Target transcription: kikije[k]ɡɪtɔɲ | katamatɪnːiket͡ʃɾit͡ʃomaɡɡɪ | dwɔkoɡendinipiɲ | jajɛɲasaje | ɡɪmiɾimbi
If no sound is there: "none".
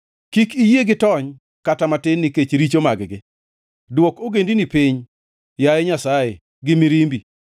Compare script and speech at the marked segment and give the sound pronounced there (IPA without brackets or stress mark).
none